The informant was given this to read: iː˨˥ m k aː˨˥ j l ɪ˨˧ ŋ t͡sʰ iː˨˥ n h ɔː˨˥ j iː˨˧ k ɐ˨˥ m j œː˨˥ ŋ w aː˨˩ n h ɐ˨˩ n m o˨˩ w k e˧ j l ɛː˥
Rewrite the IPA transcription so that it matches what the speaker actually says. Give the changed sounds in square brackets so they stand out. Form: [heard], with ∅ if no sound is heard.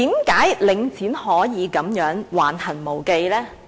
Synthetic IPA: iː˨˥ m k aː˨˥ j l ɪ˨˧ ŋ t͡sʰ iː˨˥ n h ɔː˨˥ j iː˨˧ k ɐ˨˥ m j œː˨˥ ŋ w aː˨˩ n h ɐ˨˩ n m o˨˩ w k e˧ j l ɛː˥